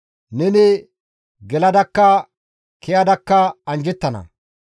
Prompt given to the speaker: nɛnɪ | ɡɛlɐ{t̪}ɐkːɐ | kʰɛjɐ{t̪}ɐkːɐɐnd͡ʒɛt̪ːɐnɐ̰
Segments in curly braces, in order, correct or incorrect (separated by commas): incorrect, incorrect